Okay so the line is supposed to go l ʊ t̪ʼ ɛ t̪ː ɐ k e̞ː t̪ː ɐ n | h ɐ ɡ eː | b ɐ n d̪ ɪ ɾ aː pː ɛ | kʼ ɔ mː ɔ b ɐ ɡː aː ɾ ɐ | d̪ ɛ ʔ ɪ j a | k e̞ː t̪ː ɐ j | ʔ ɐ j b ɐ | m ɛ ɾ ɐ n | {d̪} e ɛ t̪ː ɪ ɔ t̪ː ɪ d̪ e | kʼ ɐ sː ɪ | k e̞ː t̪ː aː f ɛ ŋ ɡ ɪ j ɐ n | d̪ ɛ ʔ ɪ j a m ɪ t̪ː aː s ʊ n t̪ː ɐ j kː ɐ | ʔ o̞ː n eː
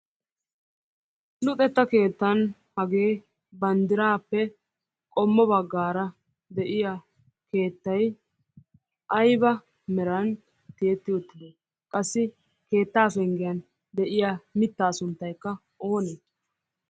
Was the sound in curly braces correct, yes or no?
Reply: no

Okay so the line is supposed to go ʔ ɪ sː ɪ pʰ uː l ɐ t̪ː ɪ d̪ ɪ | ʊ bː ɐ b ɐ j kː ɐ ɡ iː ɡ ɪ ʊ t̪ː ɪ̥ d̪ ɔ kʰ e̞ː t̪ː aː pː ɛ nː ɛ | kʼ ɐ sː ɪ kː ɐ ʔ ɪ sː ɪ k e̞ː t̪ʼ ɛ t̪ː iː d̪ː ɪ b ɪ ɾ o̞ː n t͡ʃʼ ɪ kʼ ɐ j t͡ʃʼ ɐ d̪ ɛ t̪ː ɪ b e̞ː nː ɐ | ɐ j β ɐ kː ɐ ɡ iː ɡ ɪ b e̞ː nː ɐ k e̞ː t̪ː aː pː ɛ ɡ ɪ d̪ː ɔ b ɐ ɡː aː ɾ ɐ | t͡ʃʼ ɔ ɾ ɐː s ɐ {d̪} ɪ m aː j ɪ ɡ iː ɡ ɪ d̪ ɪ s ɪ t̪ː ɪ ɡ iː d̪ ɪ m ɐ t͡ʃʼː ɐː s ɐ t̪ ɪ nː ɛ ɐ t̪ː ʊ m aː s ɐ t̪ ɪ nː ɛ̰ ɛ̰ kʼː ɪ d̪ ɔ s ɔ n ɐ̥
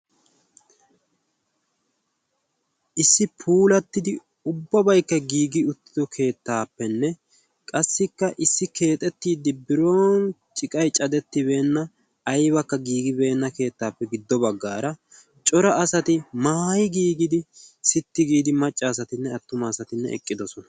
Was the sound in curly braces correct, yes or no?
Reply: no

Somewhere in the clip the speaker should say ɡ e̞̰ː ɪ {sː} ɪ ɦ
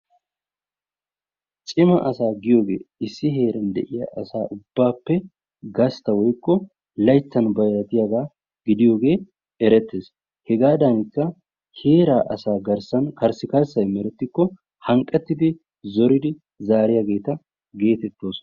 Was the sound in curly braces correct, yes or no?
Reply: yes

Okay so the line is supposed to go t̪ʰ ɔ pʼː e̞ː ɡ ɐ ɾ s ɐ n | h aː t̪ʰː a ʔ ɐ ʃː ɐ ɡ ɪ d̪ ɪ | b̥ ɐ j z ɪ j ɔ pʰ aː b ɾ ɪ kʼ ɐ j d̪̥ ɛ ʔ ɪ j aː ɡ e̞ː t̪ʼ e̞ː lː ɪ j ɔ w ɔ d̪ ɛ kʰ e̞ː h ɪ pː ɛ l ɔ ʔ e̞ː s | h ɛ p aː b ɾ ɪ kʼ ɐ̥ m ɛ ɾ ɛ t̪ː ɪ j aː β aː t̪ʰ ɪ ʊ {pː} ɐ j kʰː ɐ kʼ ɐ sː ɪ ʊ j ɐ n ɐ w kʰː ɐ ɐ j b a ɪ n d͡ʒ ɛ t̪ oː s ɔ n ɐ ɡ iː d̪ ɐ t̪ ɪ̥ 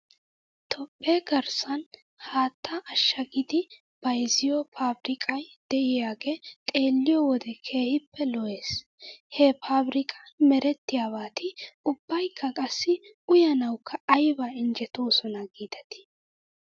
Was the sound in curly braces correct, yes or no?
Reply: no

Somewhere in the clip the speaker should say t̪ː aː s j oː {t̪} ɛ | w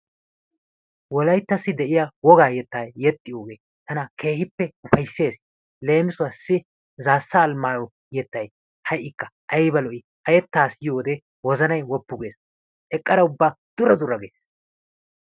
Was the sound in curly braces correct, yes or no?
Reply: no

